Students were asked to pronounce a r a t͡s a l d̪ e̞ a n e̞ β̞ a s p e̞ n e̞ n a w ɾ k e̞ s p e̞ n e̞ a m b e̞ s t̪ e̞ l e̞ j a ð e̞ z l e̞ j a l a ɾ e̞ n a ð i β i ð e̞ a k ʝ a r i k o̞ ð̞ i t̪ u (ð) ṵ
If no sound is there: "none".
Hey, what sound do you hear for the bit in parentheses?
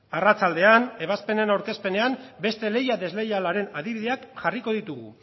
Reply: ɣ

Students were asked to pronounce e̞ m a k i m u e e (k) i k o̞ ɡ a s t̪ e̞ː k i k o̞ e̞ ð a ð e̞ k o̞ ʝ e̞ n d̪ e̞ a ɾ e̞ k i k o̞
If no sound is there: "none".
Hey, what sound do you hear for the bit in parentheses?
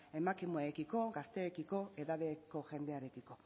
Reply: k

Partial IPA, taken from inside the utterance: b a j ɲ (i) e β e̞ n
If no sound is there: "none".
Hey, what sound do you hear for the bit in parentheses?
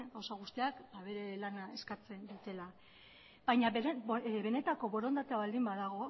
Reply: a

